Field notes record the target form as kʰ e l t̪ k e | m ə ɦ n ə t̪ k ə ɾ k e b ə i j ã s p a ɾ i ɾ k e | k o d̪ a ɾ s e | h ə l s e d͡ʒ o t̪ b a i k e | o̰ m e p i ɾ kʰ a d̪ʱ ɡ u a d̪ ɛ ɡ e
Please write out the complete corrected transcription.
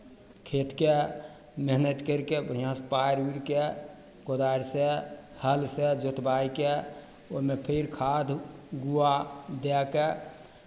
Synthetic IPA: kʰ e t̪ k e | m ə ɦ n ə t̪ k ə ɾ k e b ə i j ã s p a ɾ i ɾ k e | k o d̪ a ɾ s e | h ə l s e d͡ʒ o t̪ b a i k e | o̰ m e pʰ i ɾ kʰ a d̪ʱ ɡ u a d̪ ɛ k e

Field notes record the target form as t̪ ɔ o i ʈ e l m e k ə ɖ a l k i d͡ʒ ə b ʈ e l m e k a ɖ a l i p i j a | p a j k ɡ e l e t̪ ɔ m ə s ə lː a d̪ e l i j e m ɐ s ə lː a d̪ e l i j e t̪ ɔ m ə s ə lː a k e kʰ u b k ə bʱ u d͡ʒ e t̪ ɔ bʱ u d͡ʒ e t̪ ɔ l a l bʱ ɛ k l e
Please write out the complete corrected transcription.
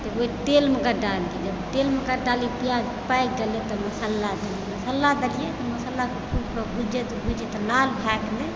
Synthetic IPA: t̪ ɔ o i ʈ e l m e k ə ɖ a l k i d͡ʒ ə b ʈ e l m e k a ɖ a l i p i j a | p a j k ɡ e l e t̪ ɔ m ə s ə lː a d̪ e l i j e m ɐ s ə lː a d̪ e l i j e t̪ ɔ m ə s ə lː a k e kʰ u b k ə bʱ u d͡ʒ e t̪ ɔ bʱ u d͡ʒ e t̪ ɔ l a l bʱ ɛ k l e

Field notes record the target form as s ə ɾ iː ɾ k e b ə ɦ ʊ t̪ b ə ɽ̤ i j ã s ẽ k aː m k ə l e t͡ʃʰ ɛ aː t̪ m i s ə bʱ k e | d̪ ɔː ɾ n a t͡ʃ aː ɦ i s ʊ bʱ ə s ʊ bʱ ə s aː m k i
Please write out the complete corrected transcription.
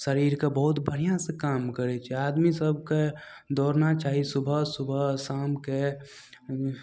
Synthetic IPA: s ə ɾ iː ɾ k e b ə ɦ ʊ t̪ b ə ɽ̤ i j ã s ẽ k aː m k ə ɾ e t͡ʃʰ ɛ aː d̪ m i s ə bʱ k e | d̪ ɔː ɾ n a t͡ʃ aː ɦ i s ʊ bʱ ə s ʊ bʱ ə s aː m k e

